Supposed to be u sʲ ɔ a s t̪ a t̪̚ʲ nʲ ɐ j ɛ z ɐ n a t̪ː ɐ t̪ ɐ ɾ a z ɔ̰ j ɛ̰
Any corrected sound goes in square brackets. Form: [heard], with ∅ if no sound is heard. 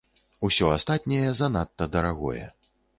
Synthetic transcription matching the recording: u sʲ ɔ a s t̪ a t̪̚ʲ nʲ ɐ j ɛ z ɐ n a t̪ː ɐ [d̪] ɐ ɾ a [ɣ] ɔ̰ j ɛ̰